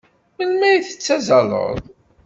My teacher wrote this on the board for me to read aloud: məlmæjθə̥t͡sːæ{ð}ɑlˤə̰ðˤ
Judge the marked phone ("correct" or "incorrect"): incorrect